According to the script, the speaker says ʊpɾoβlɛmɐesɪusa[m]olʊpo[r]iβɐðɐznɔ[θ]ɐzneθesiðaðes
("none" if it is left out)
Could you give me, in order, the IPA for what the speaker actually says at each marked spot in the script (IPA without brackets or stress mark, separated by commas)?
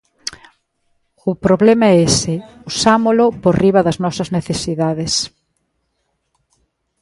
m, r, s